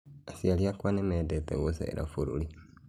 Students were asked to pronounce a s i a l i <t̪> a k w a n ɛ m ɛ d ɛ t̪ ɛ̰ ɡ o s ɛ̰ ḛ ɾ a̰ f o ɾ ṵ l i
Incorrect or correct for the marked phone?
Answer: incorrect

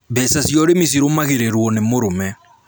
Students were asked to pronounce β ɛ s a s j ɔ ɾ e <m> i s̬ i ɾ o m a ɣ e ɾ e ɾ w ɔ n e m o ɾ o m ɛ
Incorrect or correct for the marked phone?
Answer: correct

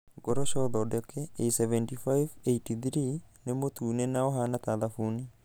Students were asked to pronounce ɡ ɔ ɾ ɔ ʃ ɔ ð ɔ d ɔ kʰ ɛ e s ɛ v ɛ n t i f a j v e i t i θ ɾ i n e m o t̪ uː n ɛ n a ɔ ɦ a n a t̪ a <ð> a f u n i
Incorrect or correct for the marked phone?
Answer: correct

